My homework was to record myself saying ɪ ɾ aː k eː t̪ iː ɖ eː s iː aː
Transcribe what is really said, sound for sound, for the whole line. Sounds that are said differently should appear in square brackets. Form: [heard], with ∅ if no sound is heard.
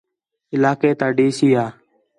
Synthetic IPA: ɪ [l] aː k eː t̪ [aː] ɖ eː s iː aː

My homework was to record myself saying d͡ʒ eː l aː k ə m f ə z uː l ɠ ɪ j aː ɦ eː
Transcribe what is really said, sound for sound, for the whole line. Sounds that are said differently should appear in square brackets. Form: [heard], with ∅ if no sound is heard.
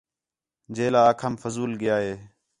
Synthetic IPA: d͡ʒ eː l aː [kʰ] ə m f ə z uː l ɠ ɪ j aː ɦ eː

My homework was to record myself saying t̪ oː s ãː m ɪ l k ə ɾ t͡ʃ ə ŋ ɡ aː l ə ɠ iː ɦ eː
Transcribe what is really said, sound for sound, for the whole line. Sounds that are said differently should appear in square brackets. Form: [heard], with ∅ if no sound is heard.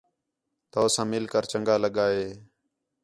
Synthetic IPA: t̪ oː s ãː m ɪ l k ə ɾ t͡ʃ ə ŋ ɡ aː l ə ɠ [aː] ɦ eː

